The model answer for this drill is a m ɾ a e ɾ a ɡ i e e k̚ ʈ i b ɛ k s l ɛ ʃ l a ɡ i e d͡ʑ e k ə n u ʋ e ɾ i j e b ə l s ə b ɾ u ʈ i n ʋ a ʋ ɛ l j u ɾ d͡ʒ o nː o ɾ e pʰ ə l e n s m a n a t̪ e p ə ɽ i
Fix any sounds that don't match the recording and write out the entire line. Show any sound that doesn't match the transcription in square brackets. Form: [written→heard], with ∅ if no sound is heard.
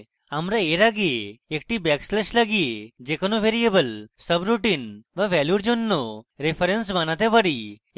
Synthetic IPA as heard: a m ɾ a e ɾ a ɡ i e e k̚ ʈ i b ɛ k s l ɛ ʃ l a ɡ i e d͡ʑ e k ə n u ʋ e ɾ i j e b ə l s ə b ɾ u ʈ i n ʋ a ʋ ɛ l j u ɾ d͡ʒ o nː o ɾ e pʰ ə [l→ɾ] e n s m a n a t̪ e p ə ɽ i

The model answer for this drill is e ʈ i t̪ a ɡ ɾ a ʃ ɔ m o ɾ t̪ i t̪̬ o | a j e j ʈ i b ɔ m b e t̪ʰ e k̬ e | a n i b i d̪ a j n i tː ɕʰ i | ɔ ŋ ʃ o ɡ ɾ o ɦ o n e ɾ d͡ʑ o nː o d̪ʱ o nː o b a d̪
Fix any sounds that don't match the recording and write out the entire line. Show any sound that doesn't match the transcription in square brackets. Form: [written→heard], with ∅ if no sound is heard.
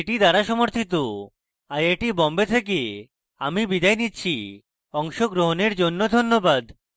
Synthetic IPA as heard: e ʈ i [t̪→d̪] a [ɡ→∅] ɾ a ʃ ɔ m o ɾ [t̪→t̪ʰ] i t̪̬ o | a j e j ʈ i b ɔ m b e t̪ʰ e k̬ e | a [n→m] i b i d̪ a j n i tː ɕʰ i | ɔ ŋ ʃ o ɡ ɾ o ɦ o n e ɾ d͡ʑ o nː o d̪ʱ o nː o b a d̪

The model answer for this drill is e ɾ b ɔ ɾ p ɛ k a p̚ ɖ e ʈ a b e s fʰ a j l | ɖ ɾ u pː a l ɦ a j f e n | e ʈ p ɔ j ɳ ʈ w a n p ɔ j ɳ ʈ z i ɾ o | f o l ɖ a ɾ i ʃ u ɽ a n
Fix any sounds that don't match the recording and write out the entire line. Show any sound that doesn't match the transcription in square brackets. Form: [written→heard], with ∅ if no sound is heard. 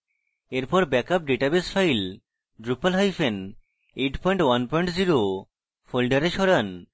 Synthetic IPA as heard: e ɾ [b→p] ɔ ɾ [p→b] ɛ k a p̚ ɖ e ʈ a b e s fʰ a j l | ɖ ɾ u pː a l ɦ a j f e n | e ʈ p ɔ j ɳ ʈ w a n p ɔ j ɳ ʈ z i ɾ o | f o l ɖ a ɾ [i→e] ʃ [u→ɔ] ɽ a n

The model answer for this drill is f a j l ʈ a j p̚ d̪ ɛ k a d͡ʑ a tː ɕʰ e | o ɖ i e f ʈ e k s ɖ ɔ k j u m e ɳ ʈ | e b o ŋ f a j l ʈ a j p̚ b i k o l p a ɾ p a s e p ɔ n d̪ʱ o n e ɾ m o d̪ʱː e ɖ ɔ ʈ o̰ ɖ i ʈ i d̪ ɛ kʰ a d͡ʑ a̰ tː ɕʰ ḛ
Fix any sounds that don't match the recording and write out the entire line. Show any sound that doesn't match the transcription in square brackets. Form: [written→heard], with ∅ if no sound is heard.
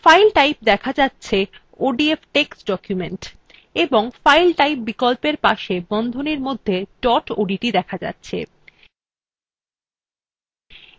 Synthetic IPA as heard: f a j l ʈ a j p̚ d̪ ɛ [k→kʰ] a d͡ʑ a tː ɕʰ e | o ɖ i e f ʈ e k s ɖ ɔ k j u m e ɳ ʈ | e b o ŋ f a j l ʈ a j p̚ b i k o l p [a→e] ɾ p a [s→ʃ] e [p→b] ɔ n d̪ʱ o n e ɾ m o d̪ʱː e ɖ ɔ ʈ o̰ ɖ i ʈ i d̪ ɛ kʰ a d͡ʑ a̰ tː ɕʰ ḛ

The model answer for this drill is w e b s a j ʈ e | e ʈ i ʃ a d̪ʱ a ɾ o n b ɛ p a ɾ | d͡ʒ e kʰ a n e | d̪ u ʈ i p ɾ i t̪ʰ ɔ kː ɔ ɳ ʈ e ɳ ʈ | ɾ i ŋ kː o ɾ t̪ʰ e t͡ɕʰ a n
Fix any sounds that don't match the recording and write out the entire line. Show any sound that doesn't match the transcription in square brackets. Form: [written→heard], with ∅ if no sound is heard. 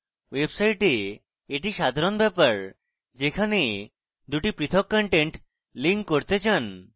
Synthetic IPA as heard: w e b s a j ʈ e | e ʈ i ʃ a d̪ʱ a ɾ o n b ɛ p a ɾ | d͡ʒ e kʰ a n e | d̪ u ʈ i p ɾ i t̪ʰ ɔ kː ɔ ɳ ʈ e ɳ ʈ | [ɾ→l] i ŋ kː o ɾ [t̪ʰ→t̪] e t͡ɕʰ a n

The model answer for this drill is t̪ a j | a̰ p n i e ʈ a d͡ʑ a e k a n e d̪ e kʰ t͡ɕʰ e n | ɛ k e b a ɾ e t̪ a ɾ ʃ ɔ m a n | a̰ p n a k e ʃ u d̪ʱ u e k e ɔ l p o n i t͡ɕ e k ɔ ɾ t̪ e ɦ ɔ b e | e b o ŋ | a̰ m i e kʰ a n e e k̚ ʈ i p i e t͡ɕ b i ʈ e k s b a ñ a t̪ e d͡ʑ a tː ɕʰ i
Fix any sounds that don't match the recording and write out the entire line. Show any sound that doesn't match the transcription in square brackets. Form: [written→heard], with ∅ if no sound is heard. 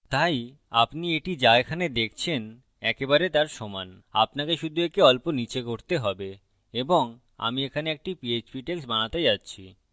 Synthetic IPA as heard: t̪ a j | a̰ p n i e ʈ [a→i] d͡ʑ a e [k→kʰ] a n e d̪ e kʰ t͡ɕʰ e n | ɛ k e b a ɾ e t̪ a ɾ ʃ ɔ m a n | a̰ p n a k e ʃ u d̪ʱ u e k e ɔ l p o n i t͡ɕ e k [ɔ→o] ɾ t̪ e ɦ ɔ b e | e b o ŋ | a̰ m i e kʰ a n e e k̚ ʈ i p i e t͡ɕ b i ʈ e k s b a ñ a t̪ e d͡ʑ a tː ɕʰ i

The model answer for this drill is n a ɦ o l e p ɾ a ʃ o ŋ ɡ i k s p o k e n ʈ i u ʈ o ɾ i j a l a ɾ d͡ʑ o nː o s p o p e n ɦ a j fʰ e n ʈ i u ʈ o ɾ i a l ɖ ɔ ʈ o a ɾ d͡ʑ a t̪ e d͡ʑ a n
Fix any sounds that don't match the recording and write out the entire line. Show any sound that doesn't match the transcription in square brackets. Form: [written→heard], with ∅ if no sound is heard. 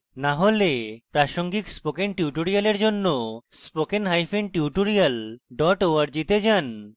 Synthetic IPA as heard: n a ɦ o l e p ɾ a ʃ o ŋ ɡ i k s p o k e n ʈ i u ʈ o ɾ i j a l [a→e] ɾ d͡ʑ o nː o s p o [p→k] e n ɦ a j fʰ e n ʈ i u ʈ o ɾ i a l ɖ ɔ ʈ o a ɾ d͡ʑ [a→i] t̪ e d͡ʑ a n

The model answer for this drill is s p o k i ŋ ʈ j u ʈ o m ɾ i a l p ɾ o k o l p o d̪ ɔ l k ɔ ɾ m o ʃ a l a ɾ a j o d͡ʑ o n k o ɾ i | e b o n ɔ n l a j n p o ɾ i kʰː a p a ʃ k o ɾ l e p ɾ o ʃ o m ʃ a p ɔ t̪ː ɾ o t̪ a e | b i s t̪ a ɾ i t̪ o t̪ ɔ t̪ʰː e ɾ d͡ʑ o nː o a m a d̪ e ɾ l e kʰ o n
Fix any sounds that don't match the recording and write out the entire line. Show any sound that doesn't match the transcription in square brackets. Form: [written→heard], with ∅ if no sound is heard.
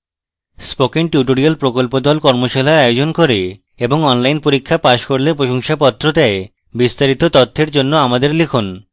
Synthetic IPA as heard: s p o k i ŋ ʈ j u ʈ o [m→∅] ɾ i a l p ɾ o k o l p o d̪ ɔ l k ɔ ɾ m o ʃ a l a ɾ a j o d͡ʑ o n k o ɾ [i→e] | e b o [n→ŋ] ɔ n l a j n p o ɾ i kʰː a p a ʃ k o ɾ l e p ɾ o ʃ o [m→ŋ] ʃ a p ɔ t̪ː ɾ o t̪ a e | b i s t̪ a ɾ i t̪ o t̪ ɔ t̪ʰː e ɾ d͡ʑ o nː o a m a d̪ e ɾ l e kʰ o n

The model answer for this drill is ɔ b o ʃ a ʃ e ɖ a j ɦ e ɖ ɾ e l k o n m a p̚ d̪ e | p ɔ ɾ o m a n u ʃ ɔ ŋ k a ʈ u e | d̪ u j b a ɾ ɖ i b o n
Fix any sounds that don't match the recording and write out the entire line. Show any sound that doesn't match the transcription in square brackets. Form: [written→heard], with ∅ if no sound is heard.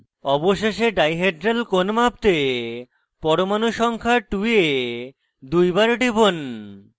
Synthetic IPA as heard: ɔ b o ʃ [a→e] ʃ e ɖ a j ɦ e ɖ ɾ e l k o n m a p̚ [d̪→t̪] e | p ɔ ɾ o m a n u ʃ ɔ ŋ [k→kʰ] a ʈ u e | d̪ u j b a ɾ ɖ i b o n

